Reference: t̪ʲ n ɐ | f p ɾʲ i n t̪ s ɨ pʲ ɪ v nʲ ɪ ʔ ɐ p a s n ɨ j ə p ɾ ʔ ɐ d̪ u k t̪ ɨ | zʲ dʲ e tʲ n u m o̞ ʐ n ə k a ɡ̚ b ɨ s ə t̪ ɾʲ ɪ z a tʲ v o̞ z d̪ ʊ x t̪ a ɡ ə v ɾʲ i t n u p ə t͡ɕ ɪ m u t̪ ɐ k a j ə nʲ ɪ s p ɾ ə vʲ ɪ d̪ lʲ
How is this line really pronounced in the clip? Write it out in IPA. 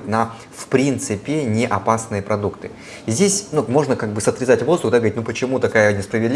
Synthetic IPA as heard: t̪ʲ n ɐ | f p ɾʲ i n t̪ s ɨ pʲ ɪ nʲ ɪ ʔ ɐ p a s n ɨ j ə p ɾ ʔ ɐ d̪ u k t̪ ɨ | zʲ dʲ e sʲ n u m o̞ ʐ n ə k a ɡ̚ b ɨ s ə t̪ ɾʲ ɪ z a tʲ v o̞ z d̪ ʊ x d̪ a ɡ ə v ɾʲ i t n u p ə t͡ɕ ɪ m u t̪ ɐ k a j ə nʲ ɪ s p ɾ ə vʲ ɪ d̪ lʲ